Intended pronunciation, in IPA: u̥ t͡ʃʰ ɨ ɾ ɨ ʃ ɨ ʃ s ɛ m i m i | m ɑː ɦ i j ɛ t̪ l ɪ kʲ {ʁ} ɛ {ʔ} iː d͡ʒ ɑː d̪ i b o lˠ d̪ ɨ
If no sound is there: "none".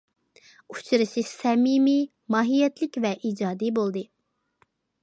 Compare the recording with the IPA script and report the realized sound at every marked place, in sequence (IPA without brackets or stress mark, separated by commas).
v, ʔ